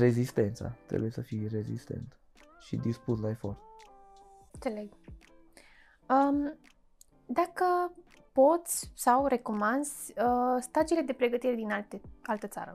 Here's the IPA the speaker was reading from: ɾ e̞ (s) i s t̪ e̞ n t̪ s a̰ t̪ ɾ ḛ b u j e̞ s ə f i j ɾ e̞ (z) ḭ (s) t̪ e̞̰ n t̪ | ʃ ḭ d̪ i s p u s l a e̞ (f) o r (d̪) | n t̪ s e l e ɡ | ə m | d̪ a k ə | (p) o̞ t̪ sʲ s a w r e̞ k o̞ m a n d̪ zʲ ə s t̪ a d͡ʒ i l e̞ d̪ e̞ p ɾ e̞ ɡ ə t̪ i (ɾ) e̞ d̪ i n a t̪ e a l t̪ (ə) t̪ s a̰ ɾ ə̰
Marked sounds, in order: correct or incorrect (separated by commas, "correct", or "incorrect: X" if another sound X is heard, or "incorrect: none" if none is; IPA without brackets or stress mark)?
incorrect: z, correct, correct, correct, incorrect: t̪, correct, correct, correct